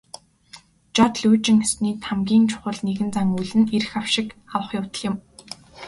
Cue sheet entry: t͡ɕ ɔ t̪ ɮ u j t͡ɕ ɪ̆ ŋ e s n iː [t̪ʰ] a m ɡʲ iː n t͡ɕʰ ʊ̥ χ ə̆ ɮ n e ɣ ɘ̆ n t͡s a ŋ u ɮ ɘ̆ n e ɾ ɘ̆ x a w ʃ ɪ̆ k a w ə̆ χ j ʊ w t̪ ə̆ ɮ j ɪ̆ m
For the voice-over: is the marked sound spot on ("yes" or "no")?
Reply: yes